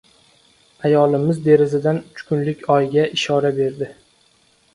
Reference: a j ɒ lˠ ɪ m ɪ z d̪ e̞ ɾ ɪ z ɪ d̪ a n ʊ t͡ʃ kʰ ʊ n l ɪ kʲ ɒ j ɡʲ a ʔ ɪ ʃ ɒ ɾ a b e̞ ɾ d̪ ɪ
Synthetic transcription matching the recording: a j ɒ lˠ ɪ m ɪ z d̪ e̞ ɾ ɪ z ɪ d̪ a n ʊ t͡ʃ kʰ ʊ n l ɪ kʲ ɒ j ɡʲ a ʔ ɪ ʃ ɒ ɾ a b e̞ ɾ d̪ ɪ

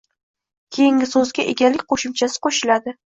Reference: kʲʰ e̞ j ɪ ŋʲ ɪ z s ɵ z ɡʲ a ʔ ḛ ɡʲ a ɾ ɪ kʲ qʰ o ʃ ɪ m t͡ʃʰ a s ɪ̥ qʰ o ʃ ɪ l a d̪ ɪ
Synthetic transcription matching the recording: kʲʰ e̞ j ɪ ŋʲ ɪ s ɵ z ɡʲ a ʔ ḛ ɡʲ a l ɪ kʲ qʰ o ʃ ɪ m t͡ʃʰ a s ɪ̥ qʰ o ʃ ɪ l a d̪ ɪ

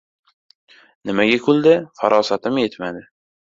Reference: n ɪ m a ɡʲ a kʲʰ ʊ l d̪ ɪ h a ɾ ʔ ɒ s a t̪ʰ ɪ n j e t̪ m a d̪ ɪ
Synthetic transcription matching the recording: n ɪ m a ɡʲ a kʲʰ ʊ l d̪ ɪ f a ɾ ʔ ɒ s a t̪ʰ ɪ m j e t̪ m a d̪ ɪ

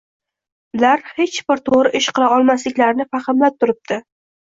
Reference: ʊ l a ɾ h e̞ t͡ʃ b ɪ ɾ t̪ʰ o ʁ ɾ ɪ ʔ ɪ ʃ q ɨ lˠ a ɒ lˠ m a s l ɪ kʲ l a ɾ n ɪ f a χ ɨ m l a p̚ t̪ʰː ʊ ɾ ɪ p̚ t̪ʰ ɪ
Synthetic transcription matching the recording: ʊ l a ɾ h e̞ t͡ʃ b ɪ ɾ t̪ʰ o ʁ ɾ ɪ ʔ ɪ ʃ q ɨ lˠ a ɒ lˠ m a s l ɪ kʲ l a ɾ n ɪ f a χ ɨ m l a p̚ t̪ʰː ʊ ɾ ɪ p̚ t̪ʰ ɪ

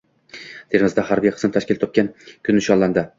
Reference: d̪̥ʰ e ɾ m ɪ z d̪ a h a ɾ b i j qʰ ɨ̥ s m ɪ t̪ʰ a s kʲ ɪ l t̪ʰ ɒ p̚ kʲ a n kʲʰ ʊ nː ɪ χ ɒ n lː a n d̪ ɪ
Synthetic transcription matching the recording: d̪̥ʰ e ɾ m ɪ z d̪ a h a ɾ b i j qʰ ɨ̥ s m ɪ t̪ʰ a ʃ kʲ ɪ l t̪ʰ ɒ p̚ kʲ a n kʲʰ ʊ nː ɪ ʃ ɒ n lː a n d̪ ɪ

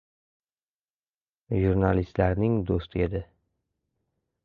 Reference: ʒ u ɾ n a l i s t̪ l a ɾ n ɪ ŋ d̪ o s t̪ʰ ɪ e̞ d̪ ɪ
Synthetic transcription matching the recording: ʒ u ɾ n a l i s t̪ l a ɾ n ɪ ŋ d̪ o s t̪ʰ ɪ e̞ d̪ ɪ

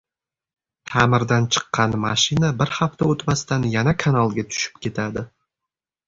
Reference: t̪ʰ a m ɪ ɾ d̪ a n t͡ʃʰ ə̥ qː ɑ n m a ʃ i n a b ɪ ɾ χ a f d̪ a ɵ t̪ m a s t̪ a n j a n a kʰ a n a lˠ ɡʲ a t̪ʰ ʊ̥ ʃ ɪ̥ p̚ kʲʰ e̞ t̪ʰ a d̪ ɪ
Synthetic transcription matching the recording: t̪ʰ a m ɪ ɾ d̪ a n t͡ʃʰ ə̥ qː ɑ n m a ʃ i n a b ɪ ɾ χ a f t̪ a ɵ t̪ m a s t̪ a n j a n a kʰ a n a lˠ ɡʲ a t̪ʰ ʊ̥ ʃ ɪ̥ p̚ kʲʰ e̞ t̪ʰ a d̪ ɪ

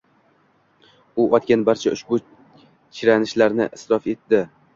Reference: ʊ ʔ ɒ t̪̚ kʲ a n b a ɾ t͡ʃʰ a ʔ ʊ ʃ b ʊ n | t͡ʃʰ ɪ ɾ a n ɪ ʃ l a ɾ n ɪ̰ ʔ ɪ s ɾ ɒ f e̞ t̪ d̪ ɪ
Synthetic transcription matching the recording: ʊ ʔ ɒ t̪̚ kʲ a n b a ɾ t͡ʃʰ a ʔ ʊ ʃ b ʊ | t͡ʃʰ ɪ ɾ a n ɪ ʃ l a ɾ n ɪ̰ ʔ ɪ s ɾ ɒ f e̞ t̪ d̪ ɪ

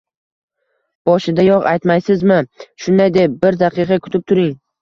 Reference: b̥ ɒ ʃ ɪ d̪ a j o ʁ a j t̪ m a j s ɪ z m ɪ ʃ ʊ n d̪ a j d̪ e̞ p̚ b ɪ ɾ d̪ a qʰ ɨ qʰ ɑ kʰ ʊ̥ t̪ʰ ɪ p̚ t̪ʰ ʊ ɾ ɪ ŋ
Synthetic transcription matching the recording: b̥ ɒ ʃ ɪ d̪ a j ɒ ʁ a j t̪ m a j s ɪ z m ɪ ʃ ʊ n d̪ a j d̪ e̞ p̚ b ɪ ɾ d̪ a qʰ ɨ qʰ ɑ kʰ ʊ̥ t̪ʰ ɪ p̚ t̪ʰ ʊ ɾ ɪ ŋ

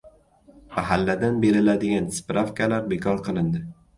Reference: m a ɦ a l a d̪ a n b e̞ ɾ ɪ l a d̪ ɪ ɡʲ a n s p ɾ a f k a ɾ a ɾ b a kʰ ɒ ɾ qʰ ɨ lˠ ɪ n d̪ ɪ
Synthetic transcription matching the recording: m a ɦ a lː a d̪ a n b e̞ ɾ ɪ l a d̪ ɪ ɡʲ a n s p ɾ a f k a l a ɾ b e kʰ ɒ ɾ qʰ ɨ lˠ ɪ n d̪ ɪ

